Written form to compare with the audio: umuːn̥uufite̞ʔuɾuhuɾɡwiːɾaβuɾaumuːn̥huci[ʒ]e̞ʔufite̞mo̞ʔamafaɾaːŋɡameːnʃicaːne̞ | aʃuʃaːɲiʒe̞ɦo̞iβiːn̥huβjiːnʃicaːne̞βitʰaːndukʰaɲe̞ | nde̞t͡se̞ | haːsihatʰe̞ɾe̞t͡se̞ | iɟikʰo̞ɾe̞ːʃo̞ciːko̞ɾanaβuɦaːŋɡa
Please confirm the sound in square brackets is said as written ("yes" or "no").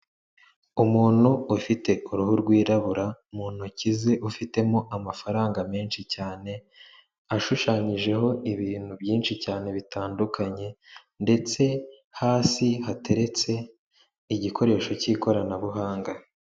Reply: no